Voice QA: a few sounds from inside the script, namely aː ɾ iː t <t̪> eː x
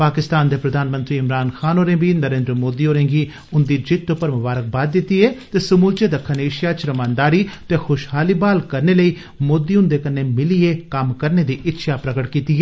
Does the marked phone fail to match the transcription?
no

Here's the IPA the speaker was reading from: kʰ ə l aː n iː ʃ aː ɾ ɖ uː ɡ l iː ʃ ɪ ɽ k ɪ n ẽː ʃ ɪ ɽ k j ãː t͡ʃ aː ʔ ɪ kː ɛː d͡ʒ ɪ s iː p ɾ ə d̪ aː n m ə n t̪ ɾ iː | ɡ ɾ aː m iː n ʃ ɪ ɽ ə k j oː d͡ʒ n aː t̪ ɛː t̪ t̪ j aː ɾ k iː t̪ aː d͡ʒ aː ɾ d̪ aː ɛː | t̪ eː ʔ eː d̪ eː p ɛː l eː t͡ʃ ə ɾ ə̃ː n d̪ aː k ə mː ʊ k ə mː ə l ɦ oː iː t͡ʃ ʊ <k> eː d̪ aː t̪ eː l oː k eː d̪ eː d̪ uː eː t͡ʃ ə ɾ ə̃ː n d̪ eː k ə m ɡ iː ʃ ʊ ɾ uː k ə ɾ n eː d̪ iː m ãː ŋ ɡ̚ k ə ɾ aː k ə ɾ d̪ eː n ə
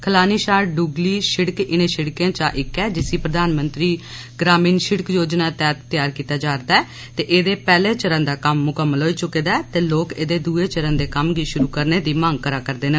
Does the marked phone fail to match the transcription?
no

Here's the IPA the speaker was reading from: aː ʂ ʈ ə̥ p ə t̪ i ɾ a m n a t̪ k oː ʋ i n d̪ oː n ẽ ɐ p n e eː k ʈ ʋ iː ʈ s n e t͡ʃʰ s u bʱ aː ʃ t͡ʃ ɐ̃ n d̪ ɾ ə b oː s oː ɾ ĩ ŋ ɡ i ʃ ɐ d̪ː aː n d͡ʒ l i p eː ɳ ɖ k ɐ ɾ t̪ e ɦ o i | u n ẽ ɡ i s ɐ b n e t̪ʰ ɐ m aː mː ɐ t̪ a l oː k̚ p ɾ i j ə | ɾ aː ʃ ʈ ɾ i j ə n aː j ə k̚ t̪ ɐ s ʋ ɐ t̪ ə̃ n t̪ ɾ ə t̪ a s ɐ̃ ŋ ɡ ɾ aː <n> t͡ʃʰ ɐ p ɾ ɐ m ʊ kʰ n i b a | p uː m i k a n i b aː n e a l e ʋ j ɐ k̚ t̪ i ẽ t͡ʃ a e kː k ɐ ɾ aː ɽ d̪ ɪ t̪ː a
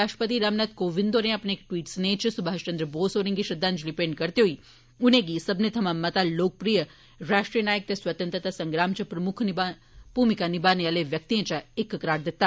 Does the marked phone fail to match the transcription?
yes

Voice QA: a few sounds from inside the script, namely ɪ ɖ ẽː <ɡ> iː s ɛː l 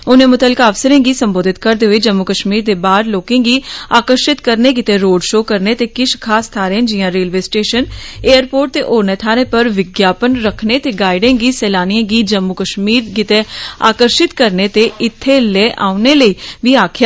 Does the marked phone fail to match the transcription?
no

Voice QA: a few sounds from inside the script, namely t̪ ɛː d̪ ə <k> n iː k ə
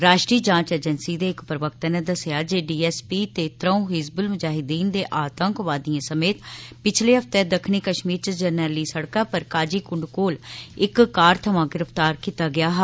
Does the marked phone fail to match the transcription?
yes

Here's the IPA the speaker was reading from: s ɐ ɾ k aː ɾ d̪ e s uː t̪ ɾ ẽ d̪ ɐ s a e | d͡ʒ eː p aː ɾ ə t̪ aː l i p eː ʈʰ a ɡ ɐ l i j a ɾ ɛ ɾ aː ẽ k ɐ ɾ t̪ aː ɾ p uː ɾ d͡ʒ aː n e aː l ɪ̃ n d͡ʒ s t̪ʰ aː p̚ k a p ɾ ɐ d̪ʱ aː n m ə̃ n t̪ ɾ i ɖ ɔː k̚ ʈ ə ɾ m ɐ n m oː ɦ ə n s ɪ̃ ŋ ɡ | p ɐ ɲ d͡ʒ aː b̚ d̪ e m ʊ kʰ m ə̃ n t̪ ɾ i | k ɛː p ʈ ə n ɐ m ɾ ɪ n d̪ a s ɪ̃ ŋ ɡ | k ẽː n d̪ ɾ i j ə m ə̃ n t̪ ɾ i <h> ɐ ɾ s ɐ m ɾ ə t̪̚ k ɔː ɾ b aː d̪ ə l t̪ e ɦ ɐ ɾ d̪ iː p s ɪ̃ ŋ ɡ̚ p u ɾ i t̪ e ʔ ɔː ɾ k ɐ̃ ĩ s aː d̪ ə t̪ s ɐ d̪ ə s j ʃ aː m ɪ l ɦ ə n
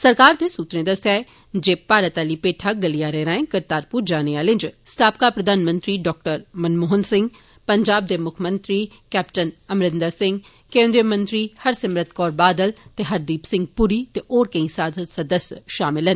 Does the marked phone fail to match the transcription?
no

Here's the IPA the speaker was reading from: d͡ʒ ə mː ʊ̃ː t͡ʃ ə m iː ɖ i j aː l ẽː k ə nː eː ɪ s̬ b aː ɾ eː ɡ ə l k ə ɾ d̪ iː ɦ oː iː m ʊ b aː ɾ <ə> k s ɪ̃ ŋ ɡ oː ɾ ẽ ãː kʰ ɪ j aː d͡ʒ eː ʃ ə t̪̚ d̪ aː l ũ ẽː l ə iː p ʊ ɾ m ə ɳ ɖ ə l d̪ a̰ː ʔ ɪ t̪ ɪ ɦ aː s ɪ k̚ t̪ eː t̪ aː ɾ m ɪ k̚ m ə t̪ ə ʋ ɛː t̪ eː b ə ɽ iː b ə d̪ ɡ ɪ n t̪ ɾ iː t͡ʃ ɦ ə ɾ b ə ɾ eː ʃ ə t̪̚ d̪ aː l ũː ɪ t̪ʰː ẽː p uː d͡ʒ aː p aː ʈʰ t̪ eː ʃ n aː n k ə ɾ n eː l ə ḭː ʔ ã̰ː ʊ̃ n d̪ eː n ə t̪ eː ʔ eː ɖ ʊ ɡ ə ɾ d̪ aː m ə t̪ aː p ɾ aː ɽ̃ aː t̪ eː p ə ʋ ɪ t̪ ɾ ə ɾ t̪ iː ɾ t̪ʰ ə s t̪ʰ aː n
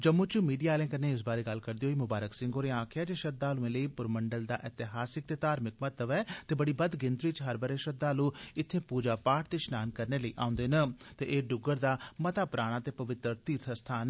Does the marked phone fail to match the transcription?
no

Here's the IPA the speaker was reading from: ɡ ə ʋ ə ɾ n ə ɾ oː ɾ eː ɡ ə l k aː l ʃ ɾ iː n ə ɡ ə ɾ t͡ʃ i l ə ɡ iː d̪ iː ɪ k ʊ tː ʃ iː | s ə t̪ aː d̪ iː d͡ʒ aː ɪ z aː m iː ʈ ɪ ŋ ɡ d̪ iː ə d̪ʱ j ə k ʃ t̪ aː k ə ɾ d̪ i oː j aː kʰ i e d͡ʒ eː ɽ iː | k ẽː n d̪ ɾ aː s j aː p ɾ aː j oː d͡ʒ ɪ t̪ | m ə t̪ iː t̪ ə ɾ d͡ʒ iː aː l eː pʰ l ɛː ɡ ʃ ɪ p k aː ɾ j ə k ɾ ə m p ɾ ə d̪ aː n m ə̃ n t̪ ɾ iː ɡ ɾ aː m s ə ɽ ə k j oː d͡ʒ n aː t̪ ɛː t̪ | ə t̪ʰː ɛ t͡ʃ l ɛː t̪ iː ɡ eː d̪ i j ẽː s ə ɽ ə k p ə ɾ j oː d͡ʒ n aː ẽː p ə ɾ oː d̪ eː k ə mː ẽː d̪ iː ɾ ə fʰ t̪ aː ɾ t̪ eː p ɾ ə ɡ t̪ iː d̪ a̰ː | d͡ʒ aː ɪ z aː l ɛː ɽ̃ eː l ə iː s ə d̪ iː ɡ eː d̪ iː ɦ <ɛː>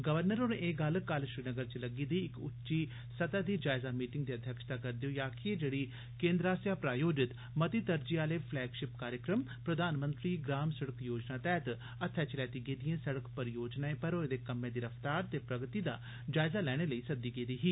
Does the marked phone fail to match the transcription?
yes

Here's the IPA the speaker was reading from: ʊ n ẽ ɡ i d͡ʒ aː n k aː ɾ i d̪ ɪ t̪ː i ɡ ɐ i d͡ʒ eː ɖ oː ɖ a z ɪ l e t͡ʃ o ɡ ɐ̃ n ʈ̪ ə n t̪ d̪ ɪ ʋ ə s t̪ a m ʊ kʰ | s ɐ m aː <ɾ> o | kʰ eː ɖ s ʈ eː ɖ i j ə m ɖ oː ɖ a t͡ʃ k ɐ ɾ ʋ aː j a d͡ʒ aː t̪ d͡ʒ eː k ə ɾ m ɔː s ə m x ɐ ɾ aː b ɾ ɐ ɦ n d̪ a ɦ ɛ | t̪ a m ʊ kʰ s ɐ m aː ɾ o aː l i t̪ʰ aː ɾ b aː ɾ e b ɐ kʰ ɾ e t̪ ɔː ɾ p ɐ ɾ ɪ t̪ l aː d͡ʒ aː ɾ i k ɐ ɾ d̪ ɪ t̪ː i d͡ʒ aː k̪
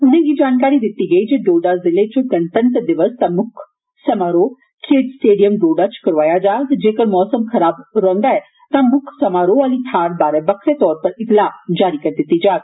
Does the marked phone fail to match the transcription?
no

